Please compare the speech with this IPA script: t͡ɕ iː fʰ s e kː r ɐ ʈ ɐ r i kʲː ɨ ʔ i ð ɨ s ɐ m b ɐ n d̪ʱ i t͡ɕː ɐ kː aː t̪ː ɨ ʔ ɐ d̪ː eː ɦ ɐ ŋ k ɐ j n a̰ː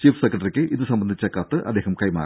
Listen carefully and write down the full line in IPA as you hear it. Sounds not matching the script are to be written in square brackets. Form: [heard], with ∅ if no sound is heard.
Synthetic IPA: t͡ɕ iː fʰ s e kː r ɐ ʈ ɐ r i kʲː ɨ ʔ i ð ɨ s ɐ m b ɐ n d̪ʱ i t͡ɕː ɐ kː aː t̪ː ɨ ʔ ɐ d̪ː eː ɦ ɐ [m] k ɐ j [m] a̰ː